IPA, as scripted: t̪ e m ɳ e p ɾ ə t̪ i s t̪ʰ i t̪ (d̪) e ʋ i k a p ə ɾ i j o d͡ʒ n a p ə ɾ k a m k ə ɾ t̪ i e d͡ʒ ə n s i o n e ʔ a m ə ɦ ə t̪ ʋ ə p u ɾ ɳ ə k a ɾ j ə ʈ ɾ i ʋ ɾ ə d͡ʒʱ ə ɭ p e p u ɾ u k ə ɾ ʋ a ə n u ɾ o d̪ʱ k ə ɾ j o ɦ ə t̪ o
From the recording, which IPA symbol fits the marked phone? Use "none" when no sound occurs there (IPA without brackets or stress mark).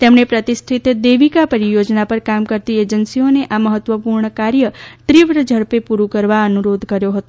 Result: d̪